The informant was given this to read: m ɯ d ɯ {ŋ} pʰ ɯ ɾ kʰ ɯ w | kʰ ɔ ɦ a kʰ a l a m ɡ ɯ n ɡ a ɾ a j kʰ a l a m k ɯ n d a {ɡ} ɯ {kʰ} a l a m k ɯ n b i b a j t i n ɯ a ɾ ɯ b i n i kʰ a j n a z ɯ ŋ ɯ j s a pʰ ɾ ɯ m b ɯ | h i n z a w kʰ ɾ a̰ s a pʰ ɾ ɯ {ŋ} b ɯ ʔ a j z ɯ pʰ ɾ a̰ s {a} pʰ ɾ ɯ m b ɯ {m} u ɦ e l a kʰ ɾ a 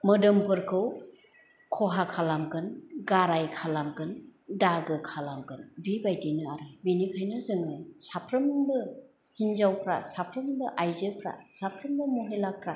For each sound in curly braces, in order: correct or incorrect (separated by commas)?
incorrect, correct, correct, incorrect, correct, correct